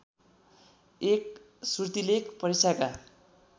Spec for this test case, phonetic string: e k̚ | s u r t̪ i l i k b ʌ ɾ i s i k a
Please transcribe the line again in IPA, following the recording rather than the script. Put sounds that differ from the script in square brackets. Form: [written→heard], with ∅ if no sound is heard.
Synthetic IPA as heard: e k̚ | s u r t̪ i l [i→e] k [b→p] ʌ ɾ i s [i→a] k a